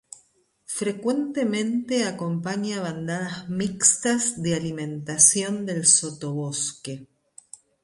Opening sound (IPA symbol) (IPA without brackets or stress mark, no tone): f